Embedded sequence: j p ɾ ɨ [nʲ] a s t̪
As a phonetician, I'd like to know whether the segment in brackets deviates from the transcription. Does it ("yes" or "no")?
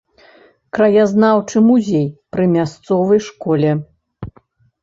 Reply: yes